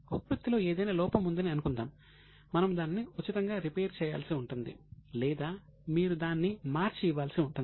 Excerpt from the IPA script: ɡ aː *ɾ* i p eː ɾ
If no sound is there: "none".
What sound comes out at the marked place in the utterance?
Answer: ɾ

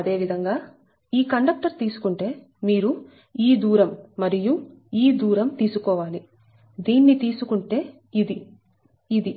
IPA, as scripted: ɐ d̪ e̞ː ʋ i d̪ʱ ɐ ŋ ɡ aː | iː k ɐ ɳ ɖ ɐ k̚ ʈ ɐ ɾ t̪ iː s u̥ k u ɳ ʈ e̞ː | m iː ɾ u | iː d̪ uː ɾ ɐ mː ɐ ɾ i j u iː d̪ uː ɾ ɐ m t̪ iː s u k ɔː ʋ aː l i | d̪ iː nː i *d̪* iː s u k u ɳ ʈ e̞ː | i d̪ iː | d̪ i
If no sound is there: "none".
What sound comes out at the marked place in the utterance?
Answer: t̪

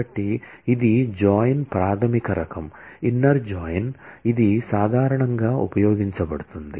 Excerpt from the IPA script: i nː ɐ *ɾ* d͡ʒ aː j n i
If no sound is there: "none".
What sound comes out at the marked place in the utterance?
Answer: ɾ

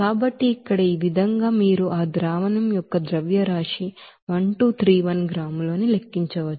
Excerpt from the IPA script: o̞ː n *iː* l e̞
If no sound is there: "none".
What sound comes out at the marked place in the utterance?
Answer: i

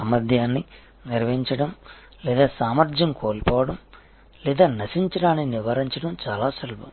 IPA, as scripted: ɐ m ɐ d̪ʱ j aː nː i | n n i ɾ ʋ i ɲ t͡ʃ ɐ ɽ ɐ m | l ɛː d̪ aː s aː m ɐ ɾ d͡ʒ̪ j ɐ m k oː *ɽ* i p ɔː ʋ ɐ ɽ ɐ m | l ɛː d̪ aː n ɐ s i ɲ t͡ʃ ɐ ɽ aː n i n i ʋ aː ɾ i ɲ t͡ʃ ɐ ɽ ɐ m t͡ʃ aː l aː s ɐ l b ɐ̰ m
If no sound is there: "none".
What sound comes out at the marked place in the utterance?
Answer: l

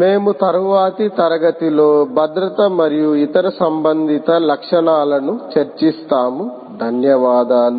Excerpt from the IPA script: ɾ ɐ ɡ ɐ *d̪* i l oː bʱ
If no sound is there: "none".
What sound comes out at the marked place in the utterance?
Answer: t̪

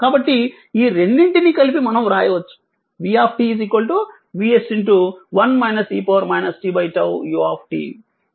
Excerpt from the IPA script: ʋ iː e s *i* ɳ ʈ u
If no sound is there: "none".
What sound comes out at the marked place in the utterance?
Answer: i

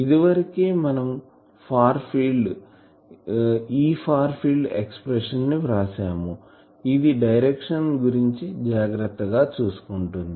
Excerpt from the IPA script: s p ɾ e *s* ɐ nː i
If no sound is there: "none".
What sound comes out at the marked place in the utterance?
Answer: ʂ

